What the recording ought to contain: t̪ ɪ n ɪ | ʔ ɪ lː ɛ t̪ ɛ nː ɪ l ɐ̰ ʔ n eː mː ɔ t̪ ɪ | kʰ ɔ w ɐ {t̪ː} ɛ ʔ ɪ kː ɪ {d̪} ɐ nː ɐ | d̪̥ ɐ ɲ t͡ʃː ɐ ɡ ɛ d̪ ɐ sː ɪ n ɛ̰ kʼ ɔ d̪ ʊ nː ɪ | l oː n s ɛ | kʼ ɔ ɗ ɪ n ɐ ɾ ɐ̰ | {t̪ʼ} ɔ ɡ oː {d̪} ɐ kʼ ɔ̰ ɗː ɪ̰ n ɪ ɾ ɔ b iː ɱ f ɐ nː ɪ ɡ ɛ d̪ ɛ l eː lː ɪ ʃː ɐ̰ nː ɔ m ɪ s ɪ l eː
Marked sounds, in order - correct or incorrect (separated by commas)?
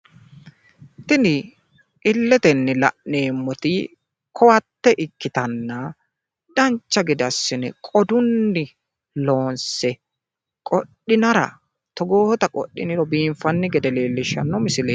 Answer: correct, incorrect, incorrect, incorrect